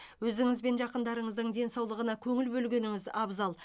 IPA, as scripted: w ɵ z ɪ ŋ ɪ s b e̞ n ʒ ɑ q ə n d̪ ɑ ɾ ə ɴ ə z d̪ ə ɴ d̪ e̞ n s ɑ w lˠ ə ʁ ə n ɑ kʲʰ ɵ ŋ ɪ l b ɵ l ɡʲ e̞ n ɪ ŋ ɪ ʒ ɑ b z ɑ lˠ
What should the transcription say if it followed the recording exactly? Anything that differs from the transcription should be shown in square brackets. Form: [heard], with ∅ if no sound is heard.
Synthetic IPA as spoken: w ɵ z ɪ ŋ ɪ [z] b e̞ n ʒ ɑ q ə n d̪ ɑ ɾ ə ɴ ə z d̪ ə ɴ d̪ e̞ n s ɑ w lˠ ə ʁ ə n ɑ kʲʰ ɵ ŋ ɪ l b ɵ l ɡʲ e̞ n ɪ ŋ ɪ [z] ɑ b z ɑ lˠ

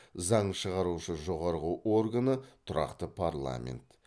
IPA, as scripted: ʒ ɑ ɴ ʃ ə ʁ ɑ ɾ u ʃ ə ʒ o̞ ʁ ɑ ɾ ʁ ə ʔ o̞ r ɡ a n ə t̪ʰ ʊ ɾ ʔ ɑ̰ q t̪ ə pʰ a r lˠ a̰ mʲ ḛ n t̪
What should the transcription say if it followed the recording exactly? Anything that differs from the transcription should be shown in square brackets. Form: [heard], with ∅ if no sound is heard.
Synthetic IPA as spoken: [z] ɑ ɴ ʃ ə ʁ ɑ ɾ u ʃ ə ʒ o̞ ʁ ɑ ɾ ʁ ə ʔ o̞ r ɡ a n ə t̪ʰ ʊ ɾ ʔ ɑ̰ q t̪ ə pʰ a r lˠ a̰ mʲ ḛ n t̪

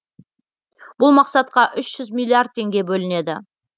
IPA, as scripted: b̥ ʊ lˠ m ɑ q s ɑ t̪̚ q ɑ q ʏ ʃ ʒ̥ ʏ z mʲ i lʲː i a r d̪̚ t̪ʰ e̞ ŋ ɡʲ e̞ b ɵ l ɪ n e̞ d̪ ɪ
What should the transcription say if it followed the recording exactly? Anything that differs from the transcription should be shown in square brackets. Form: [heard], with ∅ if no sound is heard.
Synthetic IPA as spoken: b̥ ʊ lˠ m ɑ q s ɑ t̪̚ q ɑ [ʔ] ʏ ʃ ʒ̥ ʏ z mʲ i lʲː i a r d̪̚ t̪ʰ e̞ ŋ ɡʲ e̞ b ɵ l ɪ n e̞ d̪ ɪ

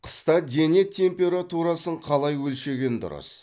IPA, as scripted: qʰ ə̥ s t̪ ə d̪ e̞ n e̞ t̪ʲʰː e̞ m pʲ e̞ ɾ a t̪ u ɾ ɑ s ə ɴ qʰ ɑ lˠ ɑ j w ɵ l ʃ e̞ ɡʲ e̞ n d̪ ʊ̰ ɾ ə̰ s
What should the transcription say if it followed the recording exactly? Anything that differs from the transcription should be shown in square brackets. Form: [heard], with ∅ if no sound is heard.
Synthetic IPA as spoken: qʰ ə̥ s t̪ [ɑ] d̪ e̞ n e̞ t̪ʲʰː e̞ m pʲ e̞ ɾ a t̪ u ɾ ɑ s ə ɴ qʰ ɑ lˠ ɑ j w ɵ l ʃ e̞ ɡʲ e̞ n d̪ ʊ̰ ɾ ə̰ s

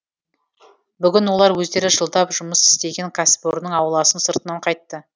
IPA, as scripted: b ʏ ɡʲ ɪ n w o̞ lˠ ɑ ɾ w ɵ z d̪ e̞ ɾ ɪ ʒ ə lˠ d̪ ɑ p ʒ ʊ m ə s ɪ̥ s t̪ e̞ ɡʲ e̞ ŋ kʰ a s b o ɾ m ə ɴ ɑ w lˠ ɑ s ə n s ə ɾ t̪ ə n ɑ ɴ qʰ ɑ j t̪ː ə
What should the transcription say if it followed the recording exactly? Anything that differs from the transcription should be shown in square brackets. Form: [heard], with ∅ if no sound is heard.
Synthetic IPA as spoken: b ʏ ɡʲ ɪ n w o̞ lˠ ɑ ɾ w ɵ z d̪ e̞ ɾ ɪ ʒ ə lˠ d̪ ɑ p ʒ ʊ m ə s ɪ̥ s t̪ e̞ ɡʲ e̞ ŋ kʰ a s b o ɾ [n] ə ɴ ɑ w lˠ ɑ s ə n s ə ɾ t̪ ə n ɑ ɴ qʰ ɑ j t̪ː ə

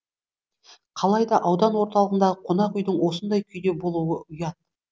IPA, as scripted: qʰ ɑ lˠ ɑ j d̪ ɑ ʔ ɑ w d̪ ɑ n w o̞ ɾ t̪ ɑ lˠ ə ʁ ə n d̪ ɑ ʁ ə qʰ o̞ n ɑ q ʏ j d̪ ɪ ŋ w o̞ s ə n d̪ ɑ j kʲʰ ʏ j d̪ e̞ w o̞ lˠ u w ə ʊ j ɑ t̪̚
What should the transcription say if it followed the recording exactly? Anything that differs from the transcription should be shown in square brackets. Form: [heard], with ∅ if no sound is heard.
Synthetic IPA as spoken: qʰ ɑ lˠ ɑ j d̪ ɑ ʔ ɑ w d̪ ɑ n w o̞ ɾ t̪ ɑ lˠ ə ʁ ə n d̪ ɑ ʁ ə qʰ o̞ n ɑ q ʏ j d̪ ɪ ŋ w o̞ s ə n d̪ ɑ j kʲʰ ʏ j d̪ e̞ [b] o̞ lˠ u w ə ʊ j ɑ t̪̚

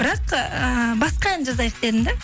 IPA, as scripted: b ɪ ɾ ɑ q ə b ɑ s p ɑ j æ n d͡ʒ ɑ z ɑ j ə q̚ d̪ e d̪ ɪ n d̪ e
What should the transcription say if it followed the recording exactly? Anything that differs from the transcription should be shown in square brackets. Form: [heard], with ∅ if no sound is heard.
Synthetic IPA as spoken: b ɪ ɾ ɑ q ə b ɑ s [q] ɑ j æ n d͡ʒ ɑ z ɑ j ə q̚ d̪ e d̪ ɪ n d̪ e

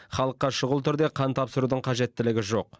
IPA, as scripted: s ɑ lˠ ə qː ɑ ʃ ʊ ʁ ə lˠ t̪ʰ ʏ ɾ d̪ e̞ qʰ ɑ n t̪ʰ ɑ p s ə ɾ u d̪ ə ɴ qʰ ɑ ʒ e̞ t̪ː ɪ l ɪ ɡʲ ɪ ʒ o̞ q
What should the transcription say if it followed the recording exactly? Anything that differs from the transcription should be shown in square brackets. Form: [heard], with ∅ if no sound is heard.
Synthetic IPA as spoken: [χ] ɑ lˠ ə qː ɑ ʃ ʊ ʁ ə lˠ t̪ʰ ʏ ɾ d̪ e̞ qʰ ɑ n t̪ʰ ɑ p s ə ɾ u d̪ ə ɴ qʰ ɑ ʒ e̞ t̪ː ɪ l ɪ ɡʲ ɪ ʒ o̞ q

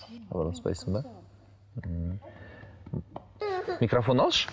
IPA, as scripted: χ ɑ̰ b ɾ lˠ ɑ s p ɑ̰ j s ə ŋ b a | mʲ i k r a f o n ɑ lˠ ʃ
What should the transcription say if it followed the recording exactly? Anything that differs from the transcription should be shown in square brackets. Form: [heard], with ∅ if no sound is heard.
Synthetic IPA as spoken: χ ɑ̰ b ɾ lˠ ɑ s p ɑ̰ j s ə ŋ b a | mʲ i k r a f o n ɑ lˠ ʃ

